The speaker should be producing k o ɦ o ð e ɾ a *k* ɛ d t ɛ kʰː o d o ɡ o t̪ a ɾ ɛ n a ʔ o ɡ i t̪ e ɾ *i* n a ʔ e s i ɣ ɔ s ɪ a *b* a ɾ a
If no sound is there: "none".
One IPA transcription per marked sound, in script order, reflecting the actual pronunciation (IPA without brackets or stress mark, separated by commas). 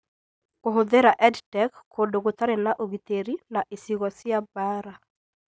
ʔ, i, b